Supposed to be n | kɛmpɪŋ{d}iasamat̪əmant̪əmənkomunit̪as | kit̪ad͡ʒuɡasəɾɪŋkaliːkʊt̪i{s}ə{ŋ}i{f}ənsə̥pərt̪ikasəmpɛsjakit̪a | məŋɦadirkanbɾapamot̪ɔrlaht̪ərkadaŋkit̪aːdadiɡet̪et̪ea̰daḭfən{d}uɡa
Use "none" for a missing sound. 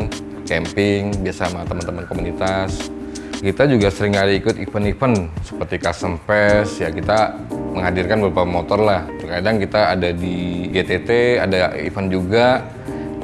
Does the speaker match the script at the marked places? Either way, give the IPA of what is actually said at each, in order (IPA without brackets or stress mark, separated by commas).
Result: b, f, n, f, d͡ʒ